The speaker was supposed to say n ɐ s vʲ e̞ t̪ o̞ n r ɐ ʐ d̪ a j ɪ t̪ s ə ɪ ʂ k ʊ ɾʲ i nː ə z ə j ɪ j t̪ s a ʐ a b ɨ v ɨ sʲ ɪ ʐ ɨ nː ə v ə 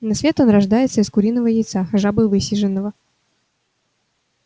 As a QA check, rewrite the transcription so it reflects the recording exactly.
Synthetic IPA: n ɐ s vʲ e̞ t̪ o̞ n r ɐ ʐ d̪ a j ɪ t̪ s ə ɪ s k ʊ ɾʲ i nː ə v ə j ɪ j t̪ s a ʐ a b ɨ v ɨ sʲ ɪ ʐ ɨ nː ə v ə